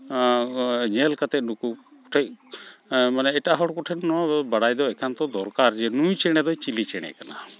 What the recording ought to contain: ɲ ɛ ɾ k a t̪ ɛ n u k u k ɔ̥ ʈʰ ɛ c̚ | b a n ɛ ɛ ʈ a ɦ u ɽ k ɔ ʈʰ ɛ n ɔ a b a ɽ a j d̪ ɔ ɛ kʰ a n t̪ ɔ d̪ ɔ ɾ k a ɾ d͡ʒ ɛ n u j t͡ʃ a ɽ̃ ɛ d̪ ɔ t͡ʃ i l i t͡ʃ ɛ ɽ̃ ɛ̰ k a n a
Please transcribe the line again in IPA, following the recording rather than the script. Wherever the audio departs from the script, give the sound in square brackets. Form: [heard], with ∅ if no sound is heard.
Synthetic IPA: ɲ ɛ [l] k a t̪ ɛ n u k u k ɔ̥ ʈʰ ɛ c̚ | [m] a n ɛ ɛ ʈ a ɦ [ɔ] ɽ k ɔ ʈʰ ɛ n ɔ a b a ɽ a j d̪ ɔ ɛ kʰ a n t̪ ɔ d̪ ɔ ɾ k a ɾ d͡ʒ ɛ n u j t͡ʃ [ɛ] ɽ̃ ɛ d̪ ɔ t͡ʃ i l i t͡ʃ ɛ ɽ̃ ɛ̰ k a n a